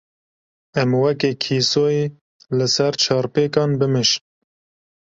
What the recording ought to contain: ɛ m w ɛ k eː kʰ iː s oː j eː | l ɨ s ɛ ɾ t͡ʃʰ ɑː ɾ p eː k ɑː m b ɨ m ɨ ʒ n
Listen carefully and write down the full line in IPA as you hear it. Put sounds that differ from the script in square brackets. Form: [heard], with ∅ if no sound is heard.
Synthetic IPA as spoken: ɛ m w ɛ k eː kʰ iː s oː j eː | l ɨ s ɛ ɾ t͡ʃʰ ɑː ɾ p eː k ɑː [n] b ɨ m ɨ [ʃ] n